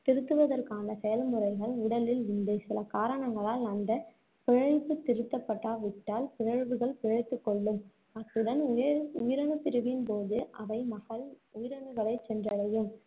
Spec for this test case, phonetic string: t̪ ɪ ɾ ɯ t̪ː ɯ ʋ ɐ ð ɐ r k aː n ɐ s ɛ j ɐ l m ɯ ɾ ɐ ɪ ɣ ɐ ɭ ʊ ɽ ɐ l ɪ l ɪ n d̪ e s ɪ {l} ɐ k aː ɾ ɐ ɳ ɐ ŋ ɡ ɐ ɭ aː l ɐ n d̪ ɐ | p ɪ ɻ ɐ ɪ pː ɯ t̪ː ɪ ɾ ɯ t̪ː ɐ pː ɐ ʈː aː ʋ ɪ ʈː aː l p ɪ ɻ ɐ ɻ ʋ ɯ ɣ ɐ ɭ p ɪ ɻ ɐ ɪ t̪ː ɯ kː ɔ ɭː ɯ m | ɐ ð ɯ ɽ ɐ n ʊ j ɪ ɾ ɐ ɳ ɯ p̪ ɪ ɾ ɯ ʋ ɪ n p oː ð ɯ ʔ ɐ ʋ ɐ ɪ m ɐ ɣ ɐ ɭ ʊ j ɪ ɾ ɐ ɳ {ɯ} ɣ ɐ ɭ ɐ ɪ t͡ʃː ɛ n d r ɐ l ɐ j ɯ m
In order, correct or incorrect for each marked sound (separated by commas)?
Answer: correct, correct